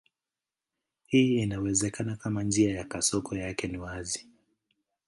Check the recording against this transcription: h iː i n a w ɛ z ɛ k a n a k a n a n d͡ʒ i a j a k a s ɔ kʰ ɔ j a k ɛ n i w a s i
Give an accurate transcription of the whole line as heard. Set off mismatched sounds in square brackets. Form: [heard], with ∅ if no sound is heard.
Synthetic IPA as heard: h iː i n a w ɛ z ɛ k a n a k a [m] a n d͡ʒ i a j a k a s ɔ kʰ ɔ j a k ɛ n i w a [z] i